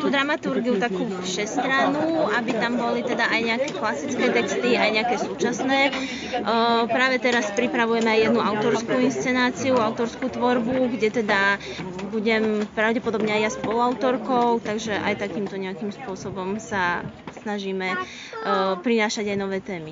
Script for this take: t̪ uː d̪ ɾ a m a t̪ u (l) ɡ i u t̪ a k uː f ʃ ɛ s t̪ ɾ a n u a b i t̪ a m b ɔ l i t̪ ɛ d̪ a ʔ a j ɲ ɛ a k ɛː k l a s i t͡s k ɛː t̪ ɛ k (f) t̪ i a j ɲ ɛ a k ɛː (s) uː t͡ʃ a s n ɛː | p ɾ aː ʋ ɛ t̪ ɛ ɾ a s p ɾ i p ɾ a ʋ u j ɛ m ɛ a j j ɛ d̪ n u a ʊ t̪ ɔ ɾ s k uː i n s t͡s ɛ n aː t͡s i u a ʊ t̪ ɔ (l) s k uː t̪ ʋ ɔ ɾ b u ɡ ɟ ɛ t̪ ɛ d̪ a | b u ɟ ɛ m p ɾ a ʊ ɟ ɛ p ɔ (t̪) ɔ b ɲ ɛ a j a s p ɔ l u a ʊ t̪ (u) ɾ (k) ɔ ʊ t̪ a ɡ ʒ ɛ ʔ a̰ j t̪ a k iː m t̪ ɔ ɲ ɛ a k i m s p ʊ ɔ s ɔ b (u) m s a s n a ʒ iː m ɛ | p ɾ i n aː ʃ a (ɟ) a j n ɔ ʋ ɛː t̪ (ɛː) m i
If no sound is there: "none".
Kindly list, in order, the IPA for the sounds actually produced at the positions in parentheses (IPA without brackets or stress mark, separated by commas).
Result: ɾ, s, s, ɾ, d̪, ɔ, k, ɔ, ɟ, ɛː